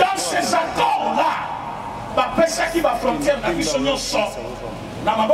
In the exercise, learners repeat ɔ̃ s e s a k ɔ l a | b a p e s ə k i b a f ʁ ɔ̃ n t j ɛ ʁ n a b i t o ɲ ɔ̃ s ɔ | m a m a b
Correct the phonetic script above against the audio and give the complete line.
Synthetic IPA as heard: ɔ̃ s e z a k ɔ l a | b a p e s a k i b a f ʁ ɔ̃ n t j ɛ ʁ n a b i s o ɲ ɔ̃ s ɔ | n a m a b